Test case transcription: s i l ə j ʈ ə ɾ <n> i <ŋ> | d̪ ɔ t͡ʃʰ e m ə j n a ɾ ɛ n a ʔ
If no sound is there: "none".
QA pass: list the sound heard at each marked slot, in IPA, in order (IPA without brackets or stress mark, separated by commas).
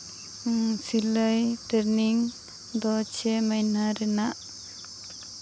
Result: n, ŋ